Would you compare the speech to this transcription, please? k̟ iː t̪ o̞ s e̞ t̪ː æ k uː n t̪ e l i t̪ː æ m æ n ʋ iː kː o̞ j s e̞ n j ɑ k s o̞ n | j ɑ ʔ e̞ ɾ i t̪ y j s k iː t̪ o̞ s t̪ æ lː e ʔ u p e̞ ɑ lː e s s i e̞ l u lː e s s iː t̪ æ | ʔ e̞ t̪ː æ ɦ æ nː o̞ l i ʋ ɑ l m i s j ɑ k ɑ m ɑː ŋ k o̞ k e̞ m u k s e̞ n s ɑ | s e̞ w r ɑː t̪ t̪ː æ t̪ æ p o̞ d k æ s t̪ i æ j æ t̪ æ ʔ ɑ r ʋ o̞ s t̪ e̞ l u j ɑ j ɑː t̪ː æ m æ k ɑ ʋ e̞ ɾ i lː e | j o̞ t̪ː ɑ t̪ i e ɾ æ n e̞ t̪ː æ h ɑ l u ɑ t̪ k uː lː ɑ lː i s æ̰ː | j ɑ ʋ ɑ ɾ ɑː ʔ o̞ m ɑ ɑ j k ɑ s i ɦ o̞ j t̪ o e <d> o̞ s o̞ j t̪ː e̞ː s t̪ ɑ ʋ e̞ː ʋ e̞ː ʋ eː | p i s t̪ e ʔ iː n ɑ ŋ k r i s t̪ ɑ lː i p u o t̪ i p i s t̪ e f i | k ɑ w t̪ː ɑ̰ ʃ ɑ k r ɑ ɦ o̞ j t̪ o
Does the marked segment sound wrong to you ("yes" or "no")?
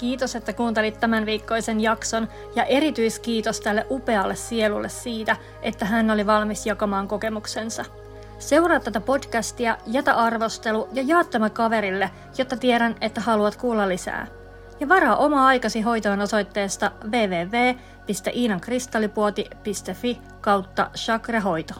yes